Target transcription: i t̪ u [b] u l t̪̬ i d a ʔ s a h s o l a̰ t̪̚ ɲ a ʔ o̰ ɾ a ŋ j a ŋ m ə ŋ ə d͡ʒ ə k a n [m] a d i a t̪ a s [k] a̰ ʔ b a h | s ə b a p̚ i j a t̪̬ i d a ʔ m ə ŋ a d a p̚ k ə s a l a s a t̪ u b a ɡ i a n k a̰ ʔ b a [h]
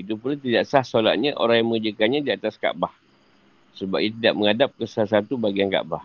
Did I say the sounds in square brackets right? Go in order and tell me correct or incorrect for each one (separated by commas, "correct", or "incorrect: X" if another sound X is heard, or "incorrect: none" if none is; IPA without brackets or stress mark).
incorrect: p, incorrect: ɲ, correct, correct